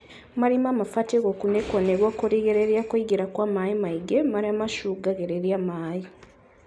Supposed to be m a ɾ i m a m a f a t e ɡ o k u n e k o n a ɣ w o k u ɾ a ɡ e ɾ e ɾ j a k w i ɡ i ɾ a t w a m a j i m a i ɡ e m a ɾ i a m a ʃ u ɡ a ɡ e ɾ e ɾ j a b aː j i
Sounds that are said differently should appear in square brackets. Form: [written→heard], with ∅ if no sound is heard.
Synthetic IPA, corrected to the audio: m a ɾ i m a m a f a t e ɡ o k u n e k o n [a→e] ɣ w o k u ɾ [a→i] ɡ e ɾ e ɾ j a k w i ɡ i ɾ a [t→k] w a m a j i m a i ɡ e m a ɾ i a m a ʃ u ɡ a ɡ e ɾ e ɾ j a [b→m] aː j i